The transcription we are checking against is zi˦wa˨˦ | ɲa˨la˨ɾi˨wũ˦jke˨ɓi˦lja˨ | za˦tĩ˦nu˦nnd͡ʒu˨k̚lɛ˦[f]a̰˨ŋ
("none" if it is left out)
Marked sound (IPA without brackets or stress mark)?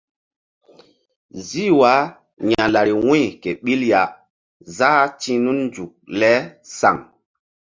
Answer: s